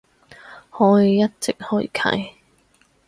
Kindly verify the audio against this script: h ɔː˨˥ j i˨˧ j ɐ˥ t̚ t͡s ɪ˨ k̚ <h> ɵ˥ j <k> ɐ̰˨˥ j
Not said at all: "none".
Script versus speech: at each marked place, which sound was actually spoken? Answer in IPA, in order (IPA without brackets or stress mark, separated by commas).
h, kʰ